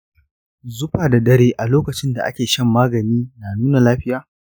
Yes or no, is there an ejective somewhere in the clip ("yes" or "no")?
no